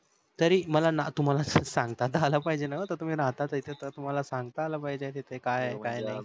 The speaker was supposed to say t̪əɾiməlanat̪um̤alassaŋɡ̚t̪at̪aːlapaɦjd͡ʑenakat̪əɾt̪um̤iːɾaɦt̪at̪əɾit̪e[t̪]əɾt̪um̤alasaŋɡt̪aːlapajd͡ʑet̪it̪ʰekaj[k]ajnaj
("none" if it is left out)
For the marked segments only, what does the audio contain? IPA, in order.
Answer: t̪, k

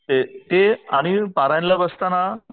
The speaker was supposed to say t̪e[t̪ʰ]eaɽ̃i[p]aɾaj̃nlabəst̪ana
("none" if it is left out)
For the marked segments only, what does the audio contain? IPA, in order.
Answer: t̪, p

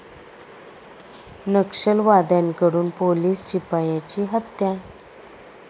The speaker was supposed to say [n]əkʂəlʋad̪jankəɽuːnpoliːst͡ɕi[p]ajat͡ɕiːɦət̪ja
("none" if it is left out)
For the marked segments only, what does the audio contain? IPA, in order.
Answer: n, p

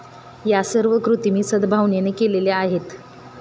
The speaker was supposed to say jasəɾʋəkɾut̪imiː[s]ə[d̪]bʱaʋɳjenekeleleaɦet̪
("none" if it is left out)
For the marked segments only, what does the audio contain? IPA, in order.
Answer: s, d̪

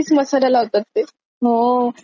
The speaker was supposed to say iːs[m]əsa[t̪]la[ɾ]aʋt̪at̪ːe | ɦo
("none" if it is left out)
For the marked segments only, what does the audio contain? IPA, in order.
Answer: m, none, l

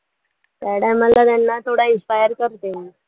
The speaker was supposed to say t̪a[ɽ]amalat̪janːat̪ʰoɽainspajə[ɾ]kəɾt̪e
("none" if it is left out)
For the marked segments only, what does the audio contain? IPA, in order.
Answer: ɽ, ɾ

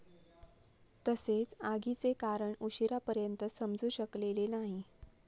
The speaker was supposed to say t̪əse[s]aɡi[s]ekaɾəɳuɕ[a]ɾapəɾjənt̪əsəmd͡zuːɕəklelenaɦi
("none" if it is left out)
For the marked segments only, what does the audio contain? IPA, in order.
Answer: t͡s, t͡s, i

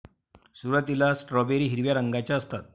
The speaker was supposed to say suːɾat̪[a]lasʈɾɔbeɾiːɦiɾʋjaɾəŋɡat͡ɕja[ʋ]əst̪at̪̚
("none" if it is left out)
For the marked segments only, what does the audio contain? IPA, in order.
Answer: i, none

